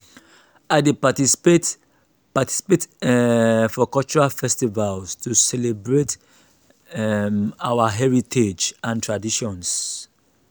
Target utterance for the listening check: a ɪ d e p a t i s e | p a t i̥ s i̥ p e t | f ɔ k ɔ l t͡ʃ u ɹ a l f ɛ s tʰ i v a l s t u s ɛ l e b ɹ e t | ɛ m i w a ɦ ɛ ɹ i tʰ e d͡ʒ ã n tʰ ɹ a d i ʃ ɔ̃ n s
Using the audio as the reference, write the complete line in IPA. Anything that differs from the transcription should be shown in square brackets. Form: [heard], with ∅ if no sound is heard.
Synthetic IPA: a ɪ d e p a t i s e | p a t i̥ s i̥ p e t | f ɔ k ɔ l t͡ʃ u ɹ a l f ɛ s [t] i v a l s t u s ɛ l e b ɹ e t | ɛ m [a] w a ɦ ɛ ɹ i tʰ e d͡ʒ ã n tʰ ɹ a d i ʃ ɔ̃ n s